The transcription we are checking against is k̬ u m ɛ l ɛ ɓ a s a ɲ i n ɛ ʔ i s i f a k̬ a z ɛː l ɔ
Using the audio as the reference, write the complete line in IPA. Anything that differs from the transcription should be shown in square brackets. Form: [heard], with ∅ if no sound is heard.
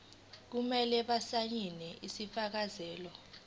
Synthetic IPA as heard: k̬ u m ɛ l ɛ ɓ a s a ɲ i n ɛ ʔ i s i f a k̬ a z ɛː l ɔ

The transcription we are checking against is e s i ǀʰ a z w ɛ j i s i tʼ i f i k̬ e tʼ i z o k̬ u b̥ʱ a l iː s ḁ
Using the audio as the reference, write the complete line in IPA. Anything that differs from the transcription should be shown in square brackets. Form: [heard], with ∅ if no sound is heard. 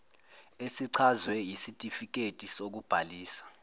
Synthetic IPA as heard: e s i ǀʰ a z w ɛ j i s i tʼ i f i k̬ e tʼ i [s] o k̬ u b̥ʱ a l iː s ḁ

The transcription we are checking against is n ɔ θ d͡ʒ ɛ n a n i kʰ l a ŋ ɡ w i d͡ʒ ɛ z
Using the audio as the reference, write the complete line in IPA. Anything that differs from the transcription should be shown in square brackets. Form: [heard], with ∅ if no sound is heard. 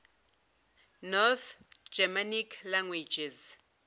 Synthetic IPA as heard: n ɔ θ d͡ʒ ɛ [m] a n i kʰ l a ŋ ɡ w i d͡ʒ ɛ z

